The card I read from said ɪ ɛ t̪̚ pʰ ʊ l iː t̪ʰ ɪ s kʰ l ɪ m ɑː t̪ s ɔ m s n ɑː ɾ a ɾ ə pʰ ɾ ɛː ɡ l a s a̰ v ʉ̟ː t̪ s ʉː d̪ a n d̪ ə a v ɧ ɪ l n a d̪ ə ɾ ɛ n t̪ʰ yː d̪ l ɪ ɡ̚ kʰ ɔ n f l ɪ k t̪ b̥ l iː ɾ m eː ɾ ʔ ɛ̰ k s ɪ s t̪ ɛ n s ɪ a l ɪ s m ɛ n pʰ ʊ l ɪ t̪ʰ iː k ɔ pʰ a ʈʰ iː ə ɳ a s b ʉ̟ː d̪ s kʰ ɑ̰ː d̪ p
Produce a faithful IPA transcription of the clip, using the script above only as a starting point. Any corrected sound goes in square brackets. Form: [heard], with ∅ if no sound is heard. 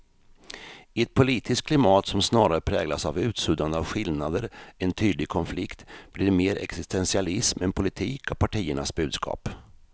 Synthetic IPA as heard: ɪ ɛ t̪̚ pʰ ʊ l iː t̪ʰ ɪ s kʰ l ɪ m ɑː t̪ s ɔ m s n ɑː ɾ a ɾ ə pʰ ɾ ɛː ɡ l a s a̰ v ʉ̟ː t̪ s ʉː d̪ a n d̪ ə a v ɧ ɪ l n a d̪ ə ɾ ɛ n t̪ʰ yː d̪ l ɪ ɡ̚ kʰ ɔ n f l ɪ k t̪ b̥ l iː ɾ m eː ɾ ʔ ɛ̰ k s ɪ s t̪ ɛ n s ɪ a l ɪ s m ɛ n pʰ ʊ l ɪ t̪ʰ iː k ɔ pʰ a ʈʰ iː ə ɳ a s b ʉ̟ː d̪ s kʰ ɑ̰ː [∅] p